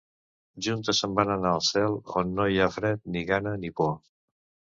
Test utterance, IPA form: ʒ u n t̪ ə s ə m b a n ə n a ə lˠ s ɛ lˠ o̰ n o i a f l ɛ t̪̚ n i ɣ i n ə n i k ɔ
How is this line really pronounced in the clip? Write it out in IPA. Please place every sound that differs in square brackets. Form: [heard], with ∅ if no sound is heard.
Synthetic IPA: ʒ u n t̪ ə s ə m b a n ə n a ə lˠ s ɛ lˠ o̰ [nː] o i a f [ɾ] ɛ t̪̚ n i ɣ [a] n ə n i [p] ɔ